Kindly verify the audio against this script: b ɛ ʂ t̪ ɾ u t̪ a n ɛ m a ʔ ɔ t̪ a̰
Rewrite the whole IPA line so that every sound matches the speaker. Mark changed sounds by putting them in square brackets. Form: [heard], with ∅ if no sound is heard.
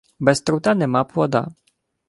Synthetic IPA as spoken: b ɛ [s] t̪ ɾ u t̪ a n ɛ m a [p] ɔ [d̪] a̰